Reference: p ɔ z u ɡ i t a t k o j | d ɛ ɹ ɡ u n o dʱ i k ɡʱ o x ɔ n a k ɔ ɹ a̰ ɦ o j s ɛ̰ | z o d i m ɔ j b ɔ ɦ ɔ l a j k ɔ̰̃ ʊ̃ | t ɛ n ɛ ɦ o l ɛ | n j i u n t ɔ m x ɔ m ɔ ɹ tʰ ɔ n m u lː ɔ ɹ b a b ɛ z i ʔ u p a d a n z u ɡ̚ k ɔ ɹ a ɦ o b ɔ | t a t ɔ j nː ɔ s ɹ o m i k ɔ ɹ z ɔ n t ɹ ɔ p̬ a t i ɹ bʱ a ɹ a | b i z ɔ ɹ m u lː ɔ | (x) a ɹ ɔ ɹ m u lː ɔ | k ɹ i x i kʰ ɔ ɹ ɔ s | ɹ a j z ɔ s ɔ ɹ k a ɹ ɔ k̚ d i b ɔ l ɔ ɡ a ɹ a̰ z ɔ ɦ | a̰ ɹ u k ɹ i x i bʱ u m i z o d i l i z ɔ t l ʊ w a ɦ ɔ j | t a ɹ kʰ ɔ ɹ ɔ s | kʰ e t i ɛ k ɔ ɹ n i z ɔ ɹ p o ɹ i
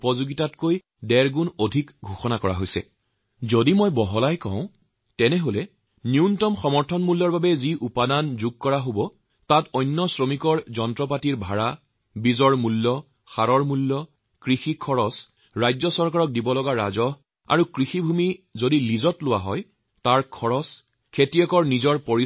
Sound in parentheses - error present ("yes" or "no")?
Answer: no